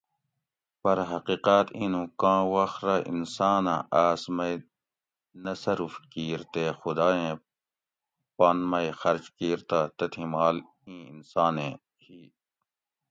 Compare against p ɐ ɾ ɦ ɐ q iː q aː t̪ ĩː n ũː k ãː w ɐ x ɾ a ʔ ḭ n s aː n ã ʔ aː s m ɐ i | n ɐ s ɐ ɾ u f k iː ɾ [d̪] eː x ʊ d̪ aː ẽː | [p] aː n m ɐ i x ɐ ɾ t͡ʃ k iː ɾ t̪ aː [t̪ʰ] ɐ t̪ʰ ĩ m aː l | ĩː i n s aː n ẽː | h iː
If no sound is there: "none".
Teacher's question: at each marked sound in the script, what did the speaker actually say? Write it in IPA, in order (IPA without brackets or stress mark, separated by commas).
t̪, p, t̪